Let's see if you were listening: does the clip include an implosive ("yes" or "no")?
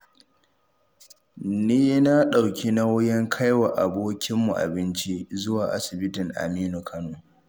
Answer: yes